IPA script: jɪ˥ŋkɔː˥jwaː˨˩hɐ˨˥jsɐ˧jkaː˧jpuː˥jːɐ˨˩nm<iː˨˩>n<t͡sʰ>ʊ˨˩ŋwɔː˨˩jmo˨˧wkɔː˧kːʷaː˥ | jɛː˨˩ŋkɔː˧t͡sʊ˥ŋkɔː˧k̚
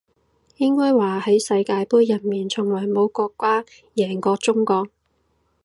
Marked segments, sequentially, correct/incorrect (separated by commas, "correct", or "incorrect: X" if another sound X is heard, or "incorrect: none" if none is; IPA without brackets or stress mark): correct, correct